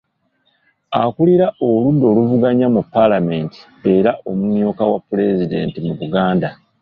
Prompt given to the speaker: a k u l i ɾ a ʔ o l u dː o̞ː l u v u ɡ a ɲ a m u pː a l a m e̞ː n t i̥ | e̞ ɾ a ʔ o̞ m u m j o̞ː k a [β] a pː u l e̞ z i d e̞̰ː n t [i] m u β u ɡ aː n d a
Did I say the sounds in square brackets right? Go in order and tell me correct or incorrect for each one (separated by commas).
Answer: incorrect, correct